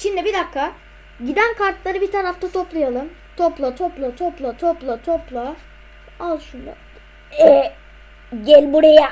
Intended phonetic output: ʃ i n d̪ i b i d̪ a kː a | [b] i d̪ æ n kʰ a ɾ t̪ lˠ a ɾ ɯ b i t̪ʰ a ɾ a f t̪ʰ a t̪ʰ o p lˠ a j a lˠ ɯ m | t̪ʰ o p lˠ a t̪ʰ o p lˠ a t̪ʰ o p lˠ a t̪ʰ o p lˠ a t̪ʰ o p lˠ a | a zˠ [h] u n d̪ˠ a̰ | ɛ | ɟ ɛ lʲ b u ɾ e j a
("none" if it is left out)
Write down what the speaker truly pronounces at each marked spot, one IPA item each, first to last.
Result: ɟ, ʃ

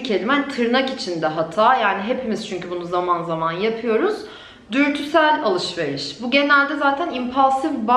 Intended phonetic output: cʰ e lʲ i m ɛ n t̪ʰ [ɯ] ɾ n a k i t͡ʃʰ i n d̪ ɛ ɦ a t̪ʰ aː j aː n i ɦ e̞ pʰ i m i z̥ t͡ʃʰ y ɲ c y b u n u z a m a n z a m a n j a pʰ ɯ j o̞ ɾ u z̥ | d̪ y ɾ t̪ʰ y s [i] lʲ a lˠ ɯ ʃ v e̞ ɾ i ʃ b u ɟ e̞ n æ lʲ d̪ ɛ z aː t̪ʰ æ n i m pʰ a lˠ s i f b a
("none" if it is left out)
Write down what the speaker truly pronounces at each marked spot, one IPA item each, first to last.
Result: ɯ, æ

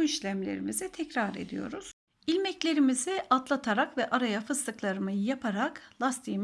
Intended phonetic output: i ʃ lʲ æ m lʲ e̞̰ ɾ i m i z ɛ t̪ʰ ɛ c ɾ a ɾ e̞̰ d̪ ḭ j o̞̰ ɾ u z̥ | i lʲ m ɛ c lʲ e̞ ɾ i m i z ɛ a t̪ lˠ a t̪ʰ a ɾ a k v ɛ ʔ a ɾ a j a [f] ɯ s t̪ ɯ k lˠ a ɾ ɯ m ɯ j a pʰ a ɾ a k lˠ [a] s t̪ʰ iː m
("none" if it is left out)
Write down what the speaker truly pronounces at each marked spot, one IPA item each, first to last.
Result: f, a

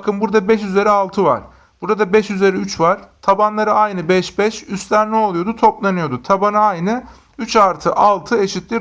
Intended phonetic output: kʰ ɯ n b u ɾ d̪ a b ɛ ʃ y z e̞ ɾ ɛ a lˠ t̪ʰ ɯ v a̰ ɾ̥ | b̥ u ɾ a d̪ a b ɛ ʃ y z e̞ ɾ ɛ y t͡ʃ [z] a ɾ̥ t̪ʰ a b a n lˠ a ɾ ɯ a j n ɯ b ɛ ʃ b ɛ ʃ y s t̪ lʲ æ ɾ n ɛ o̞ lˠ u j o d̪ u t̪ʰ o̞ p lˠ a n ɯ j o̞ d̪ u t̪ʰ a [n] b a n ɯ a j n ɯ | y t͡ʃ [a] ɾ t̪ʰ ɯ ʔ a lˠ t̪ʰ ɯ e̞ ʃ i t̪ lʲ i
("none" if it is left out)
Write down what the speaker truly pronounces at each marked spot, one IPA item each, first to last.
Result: v, none, a

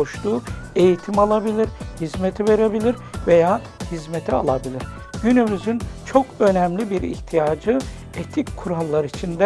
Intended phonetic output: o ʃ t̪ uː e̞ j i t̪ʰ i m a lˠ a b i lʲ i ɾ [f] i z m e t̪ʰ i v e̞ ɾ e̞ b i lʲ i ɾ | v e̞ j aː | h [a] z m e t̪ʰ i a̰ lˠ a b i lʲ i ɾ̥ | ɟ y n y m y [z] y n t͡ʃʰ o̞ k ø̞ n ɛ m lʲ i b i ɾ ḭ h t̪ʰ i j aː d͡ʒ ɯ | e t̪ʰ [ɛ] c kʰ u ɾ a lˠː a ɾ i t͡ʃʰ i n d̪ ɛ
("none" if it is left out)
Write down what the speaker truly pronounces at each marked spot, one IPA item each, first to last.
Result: h, i, z, i

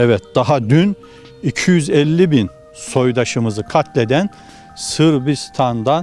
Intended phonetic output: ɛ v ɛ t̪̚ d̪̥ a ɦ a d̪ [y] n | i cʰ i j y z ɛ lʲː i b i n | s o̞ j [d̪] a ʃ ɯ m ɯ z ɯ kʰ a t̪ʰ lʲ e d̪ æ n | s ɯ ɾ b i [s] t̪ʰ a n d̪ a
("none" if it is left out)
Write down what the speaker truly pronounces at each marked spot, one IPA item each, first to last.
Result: y, d̪, s

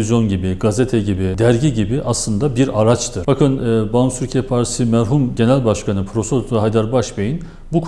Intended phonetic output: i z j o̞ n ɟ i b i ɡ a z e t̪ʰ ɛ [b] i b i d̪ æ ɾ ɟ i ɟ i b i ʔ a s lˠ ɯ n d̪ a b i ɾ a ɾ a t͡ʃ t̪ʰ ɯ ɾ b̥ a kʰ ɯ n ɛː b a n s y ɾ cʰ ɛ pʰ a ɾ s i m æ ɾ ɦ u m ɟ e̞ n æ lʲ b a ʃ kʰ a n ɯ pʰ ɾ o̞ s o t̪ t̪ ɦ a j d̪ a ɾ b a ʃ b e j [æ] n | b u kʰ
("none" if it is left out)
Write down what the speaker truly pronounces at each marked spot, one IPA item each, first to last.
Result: ɟ, i

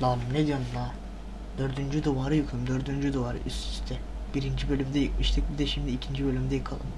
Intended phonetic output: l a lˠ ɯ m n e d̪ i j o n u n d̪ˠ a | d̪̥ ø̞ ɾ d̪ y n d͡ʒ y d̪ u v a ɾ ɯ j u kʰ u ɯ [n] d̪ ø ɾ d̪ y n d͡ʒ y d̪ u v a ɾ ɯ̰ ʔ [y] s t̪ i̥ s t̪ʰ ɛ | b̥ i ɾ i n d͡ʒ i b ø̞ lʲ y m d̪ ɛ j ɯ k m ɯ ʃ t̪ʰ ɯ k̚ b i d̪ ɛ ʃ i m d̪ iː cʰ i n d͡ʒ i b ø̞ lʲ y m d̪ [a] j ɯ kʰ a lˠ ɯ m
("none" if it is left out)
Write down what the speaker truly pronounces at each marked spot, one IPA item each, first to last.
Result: m, y, ɛ

